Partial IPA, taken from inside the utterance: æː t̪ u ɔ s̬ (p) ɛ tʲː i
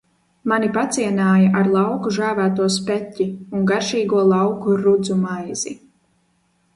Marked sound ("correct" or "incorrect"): correct